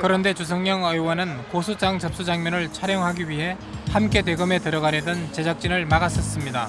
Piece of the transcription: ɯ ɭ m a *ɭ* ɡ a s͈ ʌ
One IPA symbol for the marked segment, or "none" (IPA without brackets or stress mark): none